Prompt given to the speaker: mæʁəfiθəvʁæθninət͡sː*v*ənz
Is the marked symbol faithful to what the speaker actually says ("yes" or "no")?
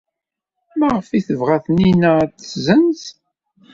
no